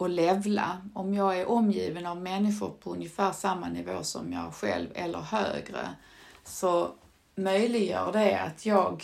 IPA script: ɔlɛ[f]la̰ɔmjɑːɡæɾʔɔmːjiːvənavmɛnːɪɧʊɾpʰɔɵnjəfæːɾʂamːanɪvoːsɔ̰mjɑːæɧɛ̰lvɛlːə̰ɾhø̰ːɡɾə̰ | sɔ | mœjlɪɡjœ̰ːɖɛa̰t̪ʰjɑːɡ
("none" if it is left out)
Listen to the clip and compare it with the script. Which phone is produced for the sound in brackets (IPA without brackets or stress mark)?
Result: v